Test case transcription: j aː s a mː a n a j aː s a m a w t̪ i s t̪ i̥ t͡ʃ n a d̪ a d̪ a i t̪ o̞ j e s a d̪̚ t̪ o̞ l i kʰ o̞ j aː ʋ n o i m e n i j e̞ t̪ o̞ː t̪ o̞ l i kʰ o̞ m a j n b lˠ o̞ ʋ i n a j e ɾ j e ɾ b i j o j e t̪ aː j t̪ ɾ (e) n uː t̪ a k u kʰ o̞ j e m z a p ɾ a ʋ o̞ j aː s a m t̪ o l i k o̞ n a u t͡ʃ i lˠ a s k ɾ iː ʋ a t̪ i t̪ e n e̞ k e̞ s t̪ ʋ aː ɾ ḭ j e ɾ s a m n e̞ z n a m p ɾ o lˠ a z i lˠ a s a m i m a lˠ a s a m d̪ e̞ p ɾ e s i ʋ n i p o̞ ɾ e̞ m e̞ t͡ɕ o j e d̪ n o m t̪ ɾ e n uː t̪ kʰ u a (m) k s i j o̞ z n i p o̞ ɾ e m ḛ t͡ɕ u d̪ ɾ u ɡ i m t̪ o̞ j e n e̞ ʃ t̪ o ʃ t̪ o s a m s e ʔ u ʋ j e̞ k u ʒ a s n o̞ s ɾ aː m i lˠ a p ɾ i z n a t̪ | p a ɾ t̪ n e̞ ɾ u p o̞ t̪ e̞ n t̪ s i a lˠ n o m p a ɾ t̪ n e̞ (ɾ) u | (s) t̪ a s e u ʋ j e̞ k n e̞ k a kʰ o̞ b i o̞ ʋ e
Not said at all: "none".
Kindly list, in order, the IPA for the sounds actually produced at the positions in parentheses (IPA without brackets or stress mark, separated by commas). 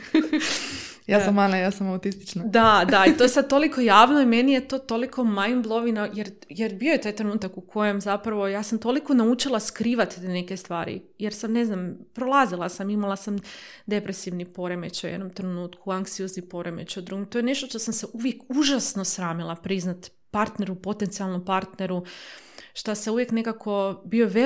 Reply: e, ŋ, ɾ, ʃ